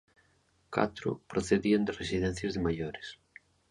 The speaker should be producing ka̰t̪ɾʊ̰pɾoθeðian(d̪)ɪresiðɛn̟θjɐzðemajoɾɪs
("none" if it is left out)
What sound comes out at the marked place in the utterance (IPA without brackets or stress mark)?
d̪